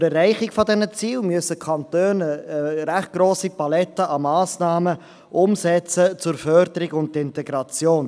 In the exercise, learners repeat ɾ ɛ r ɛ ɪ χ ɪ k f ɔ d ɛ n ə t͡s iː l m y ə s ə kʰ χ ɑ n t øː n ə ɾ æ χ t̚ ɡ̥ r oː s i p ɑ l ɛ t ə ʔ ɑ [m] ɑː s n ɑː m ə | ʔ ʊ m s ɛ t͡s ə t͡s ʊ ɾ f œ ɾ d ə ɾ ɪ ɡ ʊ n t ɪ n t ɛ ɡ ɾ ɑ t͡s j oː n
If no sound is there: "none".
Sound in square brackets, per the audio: m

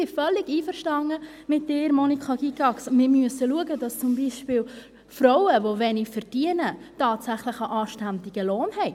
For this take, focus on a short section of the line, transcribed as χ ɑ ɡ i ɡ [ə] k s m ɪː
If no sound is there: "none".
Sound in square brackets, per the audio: ɑ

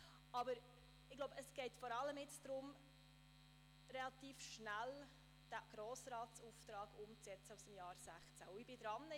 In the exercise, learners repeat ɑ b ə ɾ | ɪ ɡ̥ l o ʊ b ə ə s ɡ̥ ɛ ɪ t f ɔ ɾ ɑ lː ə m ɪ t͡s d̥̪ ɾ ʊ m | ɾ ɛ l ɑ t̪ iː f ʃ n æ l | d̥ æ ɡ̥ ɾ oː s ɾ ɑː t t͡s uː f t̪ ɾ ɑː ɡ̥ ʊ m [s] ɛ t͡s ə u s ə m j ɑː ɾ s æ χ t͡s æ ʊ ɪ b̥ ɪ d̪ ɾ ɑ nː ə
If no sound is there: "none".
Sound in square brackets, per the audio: t͡s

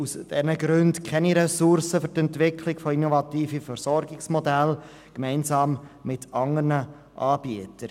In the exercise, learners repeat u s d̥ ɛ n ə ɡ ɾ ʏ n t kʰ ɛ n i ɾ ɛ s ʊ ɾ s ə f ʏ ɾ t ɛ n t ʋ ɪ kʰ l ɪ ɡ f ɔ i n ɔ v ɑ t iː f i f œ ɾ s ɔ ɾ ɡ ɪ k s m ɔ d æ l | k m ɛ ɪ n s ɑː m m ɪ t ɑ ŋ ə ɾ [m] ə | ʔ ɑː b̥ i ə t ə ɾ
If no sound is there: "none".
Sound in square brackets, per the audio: n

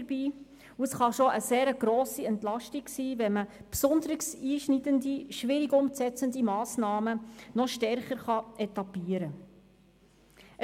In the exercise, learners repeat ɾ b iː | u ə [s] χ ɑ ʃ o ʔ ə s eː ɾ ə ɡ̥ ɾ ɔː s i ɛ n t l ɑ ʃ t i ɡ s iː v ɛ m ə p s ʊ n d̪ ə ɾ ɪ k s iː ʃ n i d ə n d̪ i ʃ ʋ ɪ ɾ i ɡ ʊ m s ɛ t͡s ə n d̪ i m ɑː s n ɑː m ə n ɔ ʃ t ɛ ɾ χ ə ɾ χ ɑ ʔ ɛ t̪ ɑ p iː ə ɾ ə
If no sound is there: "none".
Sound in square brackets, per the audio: s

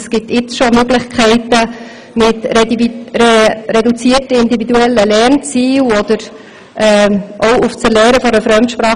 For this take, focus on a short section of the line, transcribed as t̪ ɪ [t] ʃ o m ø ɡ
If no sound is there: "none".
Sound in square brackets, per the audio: t͡s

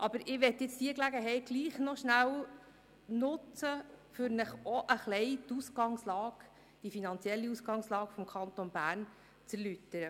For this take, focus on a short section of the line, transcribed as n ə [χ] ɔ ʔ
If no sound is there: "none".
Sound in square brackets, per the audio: χ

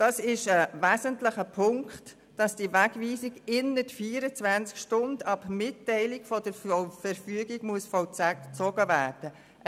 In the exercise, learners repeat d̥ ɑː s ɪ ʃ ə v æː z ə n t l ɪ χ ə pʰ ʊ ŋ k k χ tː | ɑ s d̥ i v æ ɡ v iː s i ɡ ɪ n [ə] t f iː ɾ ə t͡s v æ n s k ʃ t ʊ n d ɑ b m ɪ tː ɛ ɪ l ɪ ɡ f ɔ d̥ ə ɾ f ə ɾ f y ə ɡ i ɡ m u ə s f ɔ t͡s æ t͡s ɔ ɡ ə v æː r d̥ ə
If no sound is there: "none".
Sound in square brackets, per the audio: ə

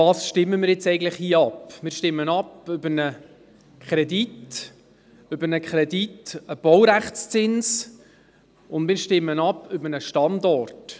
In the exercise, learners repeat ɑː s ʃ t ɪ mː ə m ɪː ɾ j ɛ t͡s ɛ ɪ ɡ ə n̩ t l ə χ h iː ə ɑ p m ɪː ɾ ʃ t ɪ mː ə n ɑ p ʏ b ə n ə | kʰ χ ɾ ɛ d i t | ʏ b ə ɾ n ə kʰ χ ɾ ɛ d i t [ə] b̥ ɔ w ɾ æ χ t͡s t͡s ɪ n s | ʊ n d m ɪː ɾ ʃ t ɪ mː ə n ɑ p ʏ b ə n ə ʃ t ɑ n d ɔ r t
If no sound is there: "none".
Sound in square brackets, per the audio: ə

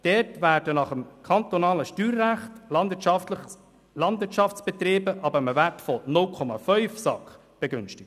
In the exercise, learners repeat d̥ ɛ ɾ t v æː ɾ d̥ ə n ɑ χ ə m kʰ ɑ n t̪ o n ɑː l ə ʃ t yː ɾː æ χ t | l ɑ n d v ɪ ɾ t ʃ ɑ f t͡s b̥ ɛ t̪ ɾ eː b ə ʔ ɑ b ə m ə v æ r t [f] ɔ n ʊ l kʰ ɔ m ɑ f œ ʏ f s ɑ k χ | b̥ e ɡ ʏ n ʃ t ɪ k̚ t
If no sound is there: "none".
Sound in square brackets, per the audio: f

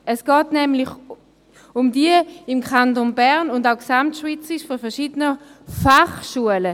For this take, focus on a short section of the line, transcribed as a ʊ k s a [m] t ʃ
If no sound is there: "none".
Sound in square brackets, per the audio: m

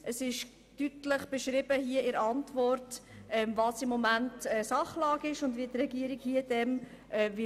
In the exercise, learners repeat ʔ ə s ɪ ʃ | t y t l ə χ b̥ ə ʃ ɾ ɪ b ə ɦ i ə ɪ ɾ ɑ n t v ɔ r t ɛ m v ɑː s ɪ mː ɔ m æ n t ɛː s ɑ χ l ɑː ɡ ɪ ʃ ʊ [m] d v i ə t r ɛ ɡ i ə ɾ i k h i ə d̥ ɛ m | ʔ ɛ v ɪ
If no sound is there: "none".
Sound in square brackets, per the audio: n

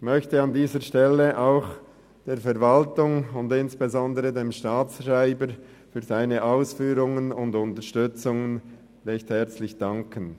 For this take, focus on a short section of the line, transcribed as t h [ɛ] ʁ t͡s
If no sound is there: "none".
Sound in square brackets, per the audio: ɛ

